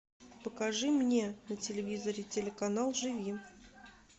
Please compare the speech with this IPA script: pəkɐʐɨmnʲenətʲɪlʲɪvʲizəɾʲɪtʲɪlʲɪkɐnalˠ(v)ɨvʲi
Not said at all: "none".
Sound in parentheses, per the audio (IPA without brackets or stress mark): ʐ